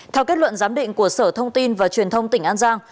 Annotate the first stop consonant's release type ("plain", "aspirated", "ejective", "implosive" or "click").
aspirated